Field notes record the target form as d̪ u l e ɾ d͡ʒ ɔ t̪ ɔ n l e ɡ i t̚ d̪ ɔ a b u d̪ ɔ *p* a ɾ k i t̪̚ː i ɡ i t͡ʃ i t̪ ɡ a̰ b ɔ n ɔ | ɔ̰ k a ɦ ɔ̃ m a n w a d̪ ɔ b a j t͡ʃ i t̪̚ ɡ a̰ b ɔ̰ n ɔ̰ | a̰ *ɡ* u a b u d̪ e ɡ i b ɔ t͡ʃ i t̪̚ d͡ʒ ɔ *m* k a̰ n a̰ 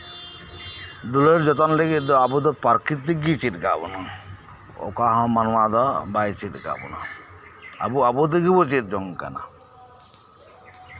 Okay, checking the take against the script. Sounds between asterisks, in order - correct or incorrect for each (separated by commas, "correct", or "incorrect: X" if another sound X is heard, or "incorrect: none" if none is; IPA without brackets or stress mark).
correct, incorrect: b, incorrect: ŋ